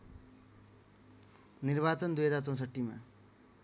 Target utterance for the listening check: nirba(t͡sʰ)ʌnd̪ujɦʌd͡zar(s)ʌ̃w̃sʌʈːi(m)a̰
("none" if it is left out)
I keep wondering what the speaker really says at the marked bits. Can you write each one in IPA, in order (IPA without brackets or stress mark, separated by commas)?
t͡s, t͡s, m